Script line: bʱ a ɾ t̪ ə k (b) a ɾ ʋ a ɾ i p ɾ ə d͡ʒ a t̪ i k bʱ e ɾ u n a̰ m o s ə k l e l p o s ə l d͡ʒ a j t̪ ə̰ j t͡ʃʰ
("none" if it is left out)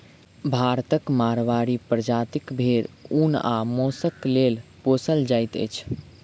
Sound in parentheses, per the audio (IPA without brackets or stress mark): m